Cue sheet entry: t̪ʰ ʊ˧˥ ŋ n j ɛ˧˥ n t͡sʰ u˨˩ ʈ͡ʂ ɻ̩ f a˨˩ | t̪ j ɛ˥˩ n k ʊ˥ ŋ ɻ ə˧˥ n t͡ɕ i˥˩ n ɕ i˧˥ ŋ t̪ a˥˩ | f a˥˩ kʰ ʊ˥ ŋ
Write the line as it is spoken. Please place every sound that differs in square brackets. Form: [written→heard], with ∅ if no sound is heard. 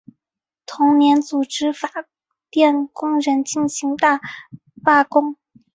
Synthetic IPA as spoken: t̪ʰ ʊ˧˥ ŋ n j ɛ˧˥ n [t͡sʰ→t͡s] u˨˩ ʈ͡ʂ ɻ̩ f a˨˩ | t̪ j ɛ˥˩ n k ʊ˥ ŋ ɻ ə˧˥ n t͡ɕ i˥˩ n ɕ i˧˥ ŋ t̪ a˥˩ | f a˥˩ [kʰ→k] ʊ˥ ŋ